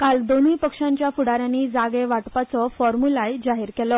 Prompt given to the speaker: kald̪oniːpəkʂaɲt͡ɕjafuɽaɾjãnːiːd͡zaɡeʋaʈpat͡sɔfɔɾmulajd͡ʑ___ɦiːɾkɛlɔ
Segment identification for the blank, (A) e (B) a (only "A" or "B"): B